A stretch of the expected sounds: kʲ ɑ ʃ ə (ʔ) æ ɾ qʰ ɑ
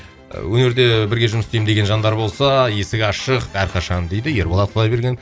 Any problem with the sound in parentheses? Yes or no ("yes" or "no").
yes